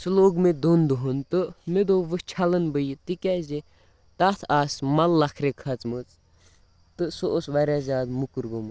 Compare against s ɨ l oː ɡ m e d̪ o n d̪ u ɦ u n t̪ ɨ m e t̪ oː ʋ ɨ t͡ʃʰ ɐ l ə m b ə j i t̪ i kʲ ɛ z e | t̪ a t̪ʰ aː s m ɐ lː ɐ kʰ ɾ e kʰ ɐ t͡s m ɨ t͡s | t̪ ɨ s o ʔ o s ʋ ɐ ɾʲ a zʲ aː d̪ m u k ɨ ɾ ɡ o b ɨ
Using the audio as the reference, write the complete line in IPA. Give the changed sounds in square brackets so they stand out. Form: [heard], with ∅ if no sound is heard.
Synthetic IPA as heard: s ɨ l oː ɡ m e d̪ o n d̪ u ɦ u n t̪ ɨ m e [d̪] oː ʋ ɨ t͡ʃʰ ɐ l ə [n] b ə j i t̪ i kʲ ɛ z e | t̪ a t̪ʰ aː s m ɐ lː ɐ kʰ ɾ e kʰ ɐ t͡s m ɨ t͡s | t̪ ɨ s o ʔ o s ʋ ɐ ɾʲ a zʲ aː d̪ m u k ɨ ɾ ɡ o [m] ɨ